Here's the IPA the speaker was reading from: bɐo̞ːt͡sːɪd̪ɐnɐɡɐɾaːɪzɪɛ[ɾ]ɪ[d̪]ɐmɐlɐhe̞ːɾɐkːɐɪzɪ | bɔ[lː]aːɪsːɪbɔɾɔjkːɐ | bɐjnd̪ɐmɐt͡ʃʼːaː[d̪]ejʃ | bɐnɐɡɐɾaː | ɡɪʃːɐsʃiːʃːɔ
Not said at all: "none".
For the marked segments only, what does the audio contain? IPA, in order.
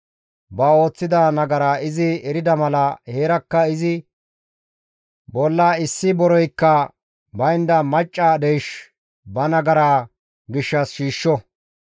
ɾ, d̪, lː, d̪

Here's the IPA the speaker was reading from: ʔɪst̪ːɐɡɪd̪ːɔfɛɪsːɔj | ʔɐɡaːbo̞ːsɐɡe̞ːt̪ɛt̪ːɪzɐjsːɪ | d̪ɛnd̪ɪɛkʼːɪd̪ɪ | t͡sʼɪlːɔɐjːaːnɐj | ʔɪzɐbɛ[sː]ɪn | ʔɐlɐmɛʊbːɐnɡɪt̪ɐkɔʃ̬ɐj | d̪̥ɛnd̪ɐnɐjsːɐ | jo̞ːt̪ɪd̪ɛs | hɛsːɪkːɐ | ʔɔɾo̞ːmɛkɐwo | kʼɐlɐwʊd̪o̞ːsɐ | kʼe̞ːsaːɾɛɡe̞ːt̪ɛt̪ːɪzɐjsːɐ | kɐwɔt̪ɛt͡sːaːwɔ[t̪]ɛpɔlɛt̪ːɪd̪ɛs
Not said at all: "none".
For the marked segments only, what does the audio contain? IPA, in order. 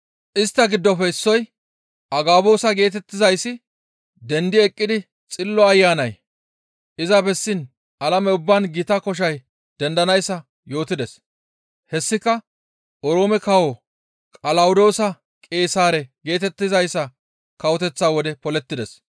sː, d̪

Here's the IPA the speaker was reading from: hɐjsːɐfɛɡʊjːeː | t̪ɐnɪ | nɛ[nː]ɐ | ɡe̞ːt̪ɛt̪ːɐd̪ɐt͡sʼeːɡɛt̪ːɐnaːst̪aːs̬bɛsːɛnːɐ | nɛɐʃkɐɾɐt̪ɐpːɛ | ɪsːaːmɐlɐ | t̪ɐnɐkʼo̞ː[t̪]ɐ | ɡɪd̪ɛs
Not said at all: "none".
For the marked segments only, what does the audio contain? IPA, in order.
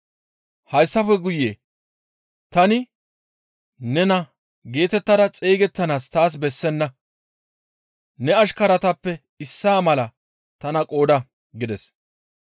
n, d̪

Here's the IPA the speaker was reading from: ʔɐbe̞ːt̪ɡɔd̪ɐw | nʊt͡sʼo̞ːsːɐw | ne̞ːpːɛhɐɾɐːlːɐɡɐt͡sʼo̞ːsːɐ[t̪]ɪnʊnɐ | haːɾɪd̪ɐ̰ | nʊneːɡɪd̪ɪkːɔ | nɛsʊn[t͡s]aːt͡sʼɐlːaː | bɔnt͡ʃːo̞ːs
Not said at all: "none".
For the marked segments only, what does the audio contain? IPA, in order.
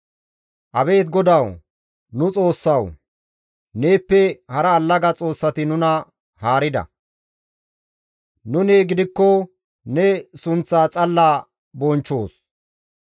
t̪, t͡s

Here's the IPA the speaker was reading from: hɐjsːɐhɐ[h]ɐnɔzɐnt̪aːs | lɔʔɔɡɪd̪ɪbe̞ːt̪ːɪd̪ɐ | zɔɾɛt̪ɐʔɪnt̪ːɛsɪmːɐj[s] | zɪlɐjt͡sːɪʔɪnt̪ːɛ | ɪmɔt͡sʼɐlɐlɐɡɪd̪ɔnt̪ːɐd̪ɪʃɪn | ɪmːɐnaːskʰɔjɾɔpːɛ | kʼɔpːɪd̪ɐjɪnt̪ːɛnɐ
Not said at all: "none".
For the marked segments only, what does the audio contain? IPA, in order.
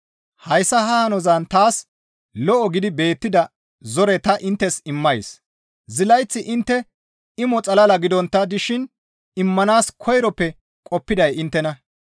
h, s

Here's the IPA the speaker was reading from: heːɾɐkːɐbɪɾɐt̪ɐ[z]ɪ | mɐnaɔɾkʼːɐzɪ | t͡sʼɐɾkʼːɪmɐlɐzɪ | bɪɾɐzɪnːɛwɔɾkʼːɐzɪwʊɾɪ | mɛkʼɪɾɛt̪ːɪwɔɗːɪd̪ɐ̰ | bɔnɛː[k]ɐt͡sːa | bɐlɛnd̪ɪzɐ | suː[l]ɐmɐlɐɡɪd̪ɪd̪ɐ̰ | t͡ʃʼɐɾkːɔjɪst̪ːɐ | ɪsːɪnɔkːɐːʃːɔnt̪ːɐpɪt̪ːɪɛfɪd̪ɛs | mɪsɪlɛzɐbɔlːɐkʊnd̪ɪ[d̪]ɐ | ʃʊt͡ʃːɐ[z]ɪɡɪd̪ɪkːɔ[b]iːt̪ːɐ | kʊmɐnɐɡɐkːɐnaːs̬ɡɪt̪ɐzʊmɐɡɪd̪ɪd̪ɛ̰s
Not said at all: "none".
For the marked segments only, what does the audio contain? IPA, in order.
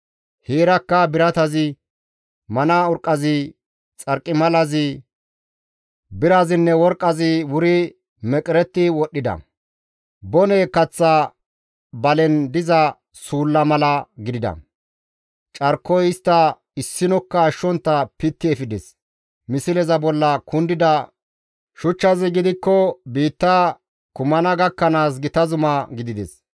z, k, lː, d̪, z, b

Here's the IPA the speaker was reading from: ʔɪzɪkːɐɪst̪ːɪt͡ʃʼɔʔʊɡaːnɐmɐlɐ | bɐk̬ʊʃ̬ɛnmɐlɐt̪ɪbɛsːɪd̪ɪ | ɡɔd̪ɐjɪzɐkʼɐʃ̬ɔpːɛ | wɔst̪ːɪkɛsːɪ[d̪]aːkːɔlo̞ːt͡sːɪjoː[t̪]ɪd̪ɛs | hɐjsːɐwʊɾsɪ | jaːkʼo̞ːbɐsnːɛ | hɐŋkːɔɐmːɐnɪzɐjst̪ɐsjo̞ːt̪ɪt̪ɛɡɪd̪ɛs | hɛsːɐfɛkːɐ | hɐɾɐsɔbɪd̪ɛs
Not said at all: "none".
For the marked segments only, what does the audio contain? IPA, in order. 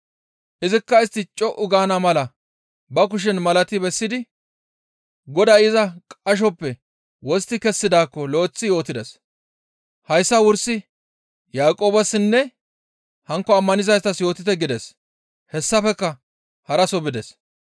d̪, t̪

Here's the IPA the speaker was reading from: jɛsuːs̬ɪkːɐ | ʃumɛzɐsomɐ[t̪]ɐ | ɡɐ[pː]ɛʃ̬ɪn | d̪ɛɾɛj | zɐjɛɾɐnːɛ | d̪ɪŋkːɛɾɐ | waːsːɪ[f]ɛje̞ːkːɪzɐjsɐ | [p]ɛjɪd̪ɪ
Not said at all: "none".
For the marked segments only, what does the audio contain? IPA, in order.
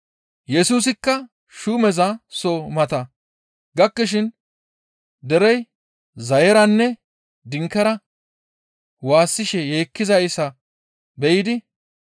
t̪, kː, ʃ, b

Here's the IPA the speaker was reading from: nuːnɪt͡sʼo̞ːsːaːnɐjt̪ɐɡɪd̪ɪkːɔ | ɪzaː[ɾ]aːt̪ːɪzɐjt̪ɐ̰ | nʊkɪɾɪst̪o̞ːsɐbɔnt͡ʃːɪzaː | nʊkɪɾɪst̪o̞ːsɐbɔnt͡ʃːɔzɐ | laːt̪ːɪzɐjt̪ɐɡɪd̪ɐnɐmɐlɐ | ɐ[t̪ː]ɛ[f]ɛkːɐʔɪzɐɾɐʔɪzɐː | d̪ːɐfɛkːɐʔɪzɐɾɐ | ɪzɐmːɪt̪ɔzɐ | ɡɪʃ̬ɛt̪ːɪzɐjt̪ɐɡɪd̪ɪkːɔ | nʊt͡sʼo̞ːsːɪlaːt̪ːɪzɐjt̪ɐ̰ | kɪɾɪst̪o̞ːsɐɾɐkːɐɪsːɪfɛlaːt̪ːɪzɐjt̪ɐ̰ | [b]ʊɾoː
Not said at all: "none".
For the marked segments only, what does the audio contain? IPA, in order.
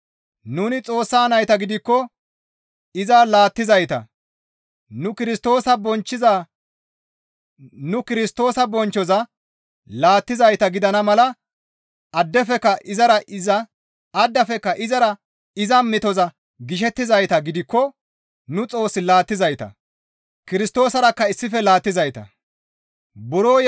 l, d̪ː, f, b

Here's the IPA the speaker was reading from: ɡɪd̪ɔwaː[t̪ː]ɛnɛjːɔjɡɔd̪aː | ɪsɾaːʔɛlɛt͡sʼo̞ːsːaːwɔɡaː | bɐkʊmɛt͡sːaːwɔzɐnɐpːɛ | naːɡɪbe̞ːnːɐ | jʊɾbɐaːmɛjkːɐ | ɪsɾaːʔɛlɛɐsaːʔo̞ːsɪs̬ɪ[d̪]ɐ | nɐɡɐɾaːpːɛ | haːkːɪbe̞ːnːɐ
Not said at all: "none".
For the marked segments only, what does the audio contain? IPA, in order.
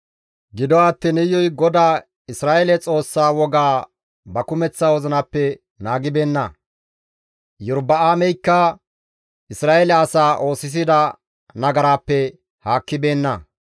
t̪ː, d̪

